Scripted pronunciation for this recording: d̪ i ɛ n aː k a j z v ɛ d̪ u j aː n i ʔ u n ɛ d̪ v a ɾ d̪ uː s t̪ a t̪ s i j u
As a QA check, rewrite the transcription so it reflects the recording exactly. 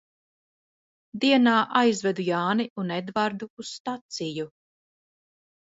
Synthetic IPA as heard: d̪ i ɛ n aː ʔ a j z v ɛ d̪ u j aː n i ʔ u n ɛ d̪ v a ɾ d̪ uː s t̪ a t̪ s i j u